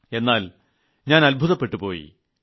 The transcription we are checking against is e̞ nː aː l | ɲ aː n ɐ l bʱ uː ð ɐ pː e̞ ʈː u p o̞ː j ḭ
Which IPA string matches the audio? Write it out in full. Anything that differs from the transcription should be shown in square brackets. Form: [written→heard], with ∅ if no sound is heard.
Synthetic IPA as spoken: e̞ nː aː l | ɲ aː n ɐ l bʱ [uː→u] ð ɐ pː e̞ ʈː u p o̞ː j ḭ